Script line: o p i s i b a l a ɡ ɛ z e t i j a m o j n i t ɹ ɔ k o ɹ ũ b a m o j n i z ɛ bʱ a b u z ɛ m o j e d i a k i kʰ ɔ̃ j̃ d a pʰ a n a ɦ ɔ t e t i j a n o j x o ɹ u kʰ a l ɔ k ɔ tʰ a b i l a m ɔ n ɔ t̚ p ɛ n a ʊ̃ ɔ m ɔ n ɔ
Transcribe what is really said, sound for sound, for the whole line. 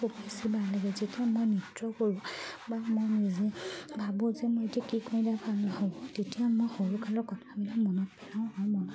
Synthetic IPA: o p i s i b a l a ɡ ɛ z e t i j a m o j n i t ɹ ɔ k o ɹ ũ b a m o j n i z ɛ bʱ a b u z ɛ m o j e t i a k i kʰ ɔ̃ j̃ d a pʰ a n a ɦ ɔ t e t i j a m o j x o ɹ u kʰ a l ɔ k ɔ tʰ a b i l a m ɔ n ɔ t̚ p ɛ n a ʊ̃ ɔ m ɔ n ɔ